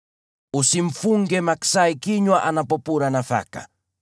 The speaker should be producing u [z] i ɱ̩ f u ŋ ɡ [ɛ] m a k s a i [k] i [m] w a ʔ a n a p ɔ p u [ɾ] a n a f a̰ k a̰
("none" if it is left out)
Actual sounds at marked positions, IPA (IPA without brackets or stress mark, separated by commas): s, ɛ, k, ɲ, ɾ